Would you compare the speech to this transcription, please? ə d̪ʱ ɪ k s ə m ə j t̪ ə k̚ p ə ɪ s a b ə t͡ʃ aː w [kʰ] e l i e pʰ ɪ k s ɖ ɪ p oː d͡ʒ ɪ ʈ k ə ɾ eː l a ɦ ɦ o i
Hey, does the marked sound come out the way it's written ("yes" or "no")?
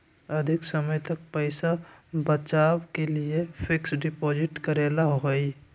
no